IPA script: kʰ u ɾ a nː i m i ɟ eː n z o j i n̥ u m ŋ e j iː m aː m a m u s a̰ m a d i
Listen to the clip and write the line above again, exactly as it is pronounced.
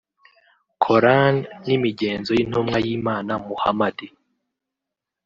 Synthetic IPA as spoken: kʰ o ɾ a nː i m i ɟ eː n z o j i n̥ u m ŋ a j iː m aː n a m u h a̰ m a d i